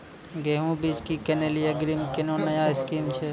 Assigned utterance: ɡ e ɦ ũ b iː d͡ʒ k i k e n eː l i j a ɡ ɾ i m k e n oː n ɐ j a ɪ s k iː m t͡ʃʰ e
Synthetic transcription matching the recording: ɡ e ɦ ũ b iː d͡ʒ k i k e n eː l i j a ɡ ɾ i m k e n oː n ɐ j a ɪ s k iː m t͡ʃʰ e